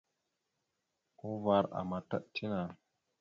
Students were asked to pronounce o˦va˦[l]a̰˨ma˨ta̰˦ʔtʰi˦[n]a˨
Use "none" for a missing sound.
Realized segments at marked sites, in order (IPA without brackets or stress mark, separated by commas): ɾ, n